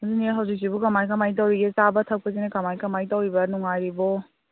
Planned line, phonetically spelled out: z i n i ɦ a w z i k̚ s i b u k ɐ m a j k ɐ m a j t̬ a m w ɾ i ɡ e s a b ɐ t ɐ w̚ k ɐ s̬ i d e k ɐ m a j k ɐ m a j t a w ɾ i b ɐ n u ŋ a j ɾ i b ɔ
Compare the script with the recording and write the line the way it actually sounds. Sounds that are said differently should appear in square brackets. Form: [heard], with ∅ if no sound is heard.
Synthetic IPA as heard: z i n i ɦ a w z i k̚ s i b u k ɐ m a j k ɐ m a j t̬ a [∅] w ɾ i ɡ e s a b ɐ [tʰ] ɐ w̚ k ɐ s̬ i [n] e k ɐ m a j k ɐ m a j t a w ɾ i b ɐ n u ŋ a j ɾ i b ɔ